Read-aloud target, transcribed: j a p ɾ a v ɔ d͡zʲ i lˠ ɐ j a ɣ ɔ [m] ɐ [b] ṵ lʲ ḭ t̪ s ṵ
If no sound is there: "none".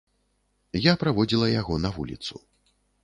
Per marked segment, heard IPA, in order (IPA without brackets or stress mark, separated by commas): n, v